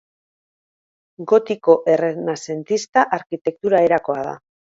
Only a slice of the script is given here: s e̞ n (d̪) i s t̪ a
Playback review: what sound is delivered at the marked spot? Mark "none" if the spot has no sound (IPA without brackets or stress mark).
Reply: t̪